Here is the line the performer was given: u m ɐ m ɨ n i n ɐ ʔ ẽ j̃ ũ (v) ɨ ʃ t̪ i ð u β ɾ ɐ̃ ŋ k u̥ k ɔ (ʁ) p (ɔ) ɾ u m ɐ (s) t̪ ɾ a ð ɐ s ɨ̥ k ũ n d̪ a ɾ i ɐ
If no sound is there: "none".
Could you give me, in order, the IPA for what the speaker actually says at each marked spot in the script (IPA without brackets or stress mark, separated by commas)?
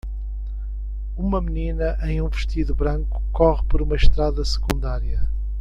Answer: v, ʁ, ɔ, ʃ